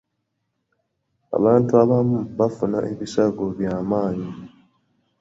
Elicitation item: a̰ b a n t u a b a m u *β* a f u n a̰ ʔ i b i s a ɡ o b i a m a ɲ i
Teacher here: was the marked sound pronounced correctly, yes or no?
no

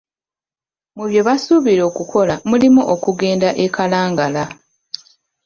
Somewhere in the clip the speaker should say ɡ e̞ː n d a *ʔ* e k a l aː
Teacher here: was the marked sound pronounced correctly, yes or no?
yes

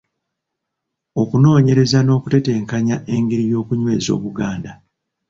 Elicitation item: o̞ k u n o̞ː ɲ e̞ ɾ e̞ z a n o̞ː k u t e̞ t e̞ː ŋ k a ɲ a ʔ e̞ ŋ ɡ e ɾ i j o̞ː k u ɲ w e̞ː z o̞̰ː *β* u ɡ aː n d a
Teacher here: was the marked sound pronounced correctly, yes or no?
yes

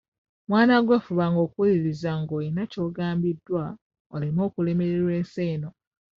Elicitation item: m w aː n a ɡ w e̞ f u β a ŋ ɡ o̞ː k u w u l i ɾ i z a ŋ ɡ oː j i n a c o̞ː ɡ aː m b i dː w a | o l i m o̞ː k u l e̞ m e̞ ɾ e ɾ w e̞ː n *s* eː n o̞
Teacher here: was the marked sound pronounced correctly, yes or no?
yes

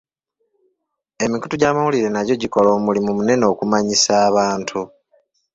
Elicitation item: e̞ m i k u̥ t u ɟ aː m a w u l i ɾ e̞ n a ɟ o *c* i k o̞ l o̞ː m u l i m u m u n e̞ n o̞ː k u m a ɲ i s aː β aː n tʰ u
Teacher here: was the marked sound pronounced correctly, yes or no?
no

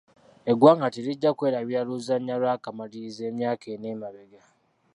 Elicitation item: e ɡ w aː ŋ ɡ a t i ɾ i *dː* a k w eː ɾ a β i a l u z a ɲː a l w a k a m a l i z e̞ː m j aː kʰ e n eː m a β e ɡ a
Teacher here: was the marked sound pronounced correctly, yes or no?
no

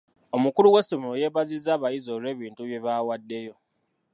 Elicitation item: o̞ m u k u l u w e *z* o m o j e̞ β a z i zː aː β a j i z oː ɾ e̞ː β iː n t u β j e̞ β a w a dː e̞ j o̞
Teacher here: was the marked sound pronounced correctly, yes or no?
no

